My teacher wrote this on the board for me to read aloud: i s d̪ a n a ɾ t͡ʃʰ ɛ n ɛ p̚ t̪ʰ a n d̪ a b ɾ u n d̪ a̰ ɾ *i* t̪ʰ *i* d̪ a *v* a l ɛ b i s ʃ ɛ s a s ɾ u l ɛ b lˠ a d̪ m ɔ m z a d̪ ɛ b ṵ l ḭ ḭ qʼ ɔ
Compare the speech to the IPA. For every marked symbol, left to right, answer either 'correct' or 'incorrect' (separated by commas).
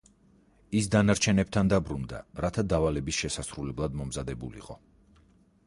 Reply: incorrect, incorrect, correct